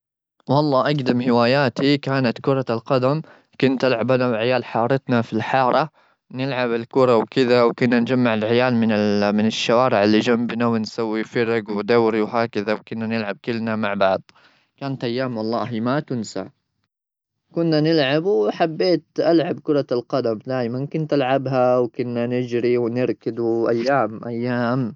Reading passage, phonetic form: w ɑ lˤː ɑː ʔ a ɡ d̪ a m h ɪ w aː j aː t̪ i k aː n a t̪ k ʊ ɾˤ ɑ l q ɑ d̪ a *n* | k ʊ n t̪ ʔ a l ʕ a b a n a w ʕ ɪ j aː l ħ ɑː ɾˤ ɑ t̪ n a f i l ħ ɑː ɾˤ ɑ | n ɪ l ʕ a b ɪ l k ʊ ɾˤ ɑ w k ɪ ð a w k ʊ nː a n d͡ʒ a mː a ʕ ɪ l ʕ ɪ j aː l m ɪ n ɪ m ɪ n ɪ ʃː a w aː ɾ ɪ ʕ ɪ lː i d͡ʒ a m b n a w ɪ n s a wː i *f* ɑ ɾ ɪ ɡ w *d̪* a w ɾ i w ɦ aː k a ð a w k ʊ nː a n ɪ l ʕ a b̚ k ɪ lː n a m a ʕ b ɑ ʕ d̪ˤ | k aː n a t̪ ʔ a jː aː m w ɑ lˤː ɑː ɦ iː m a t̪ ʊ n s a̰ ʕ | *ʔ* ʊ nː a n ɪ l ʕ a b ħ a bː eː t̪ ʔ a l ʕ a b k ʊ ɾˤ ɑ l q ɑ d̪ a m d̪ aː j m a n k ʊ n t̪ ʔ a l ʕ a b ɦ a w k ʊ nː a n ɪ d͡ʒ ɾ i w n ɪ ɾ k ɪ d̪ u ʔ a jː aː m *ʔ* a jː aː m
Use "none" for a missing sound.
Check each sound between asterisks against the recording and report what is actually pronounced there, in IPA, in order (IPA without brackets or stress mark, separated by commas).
m, f, d̪, k, ʔ